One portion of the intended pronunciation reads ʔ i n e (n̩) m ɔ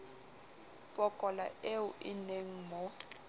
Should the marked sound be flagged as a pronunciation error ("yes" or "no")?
yes